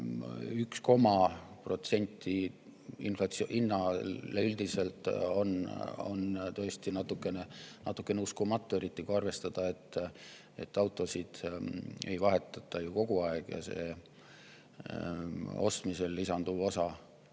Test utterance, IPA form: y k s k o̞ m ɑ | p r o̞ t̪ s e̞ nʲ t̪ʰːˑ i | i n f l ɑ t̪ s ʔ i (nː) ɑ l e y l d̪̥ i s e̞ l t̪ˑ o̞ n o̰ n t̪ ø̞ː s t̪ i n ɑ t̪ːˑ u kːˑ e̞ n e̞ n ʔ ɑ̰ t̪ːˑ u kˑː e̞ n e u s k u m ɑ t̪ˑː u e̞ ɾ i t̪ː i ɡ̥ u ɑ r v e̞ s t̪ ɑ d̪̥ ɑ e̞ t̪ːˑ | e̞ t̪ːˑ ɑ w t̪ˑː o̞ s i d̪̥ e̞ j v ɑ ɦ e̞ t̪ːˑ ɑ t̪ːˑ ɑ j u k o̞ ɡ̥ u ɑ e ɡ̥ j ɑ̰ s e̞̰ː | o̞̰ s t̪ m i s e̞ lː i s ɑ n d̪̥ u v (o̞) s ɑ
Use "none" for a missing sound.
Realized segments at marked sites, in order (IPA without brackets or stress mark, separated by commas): nː, o̞